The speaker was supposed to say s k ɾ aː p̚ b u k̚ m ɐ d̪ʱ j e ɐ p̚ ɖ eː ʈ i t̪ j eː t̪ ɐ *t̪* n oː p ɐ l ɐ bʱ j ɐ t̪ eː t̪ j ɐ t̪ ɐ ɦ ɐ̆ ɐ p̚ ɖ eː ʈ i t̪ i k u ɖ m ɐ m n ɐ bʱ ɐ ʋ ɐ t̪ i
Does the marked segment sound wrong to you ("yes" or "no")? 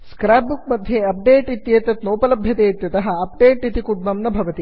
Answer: no